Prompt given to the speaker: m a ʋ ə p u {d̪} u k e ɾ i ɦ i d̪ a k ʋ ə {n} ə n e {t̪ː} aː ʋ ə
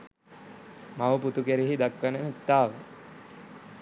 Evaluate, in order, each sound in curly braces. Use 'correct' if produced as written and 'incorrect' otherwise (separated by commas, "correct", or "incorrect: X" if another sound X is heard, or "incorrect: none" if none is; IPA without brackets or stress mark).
incorrect: t̪, correct, correct